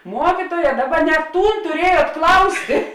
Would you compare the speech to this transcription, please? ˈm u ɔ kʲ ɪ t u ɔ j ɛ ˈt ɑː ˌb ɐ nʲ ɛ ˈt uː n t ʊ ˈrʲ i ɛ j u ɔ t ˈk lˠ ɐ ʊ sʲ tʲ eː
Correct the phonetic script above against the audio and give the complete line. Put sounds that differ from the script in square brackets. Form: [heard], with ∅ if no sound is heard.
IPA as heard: ˈm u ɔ kʲ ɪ t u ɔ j ɛ [ˈd] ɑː ˌb ɐ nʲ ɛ ˈt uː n t ʊ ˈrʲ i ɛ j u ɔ t ˈk lˠ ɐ ʊ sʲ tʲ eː